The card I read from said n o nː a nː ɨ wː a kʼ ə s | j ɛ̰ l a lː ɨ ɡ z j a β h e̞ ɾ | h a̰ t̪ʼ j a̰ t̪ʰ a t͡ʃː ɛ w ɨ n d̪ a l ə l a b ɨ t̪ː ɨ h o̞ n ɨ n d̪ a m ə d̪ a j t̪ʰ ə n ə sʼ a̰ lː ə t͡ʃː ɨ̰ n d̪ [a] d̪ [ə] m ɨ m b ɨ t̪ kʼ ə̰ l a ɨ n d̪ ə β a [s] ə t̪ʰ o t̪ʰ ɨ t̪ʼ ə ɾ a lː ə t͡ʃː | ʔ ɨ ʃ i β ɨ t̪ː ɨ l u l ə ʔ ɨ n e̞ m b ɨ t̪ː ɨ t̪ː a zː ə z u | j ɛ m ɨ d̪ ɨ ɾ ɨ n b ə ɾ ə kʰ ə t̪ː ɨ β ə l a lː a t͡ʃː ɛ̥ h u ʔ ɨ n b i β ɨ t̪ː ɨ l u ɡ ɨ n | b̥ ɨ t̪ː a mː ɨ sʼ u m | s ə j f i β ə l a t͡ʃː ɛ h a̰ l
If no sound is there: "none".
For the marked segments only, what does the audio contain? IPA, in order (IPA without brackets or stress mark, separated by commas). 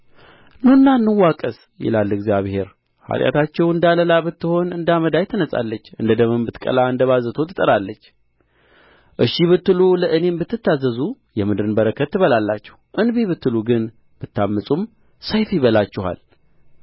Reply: ə, ə, z